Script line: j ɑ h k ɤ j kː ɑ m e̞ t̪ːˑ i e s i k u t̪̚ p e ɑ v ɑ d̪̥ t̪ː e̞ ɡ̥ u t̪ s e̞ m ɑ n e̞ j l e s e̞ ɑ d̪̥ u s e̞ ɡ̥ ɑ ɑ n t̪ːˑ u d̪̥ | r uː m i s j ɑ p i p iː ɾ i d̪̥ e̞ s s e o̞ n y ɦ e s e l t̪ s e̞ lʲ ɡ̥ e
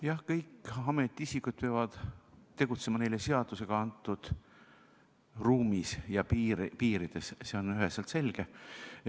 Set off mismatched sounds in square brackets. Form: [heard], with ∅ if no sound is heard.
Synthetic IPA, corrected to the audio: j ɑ h k ɤ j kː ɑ m e̞ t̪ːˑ i [i] s i k u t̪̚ p e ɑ v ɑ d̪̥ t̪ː e̞ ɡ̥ u t̪ s e̞ m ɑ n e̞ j l e s e̞ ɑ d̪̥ u s e̞ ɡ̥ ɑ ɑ n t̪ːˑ u d̪̥ | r uː m i s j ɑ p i p iː ɾ i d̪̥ e̞ s s e o̞ n y ɦ e s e l t̪ s e̞ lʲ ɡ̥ e